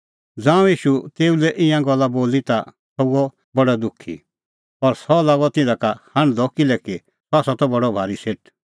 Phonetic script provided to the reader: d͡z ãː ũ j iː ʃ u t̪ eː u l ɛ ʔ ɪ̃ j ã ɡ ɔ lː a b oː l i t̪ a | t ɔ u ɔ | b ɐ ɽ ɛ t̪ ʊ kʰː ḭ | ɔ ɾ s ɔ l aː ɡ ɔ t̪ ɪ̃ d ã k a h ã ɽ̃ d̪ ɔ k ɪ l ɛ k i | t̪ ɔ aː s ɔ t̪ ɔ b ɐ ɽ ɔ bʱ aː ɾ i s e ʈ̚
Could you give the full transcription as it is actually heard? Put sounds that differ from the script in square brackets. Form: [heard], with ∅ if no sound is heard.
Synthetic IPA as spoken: d͡z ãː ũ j iː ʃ u t̪ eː u l ɛ ʔ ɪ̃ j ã ɡ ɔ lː a b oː l i t̪ a | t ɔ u ɔ | b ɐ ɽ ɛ [d̪] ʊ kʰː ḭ | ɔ ɾ s ɔ l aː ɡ ɔ t̪ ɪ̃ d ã k a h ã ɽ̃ d̪ ɔ k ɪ l ɛ k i | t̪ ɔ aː s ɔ t̪ ɔ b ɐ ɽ ɔ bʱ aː ɾ i s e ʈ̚